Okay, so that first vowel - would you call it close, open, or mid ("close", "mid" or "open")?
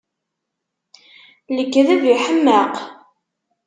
mid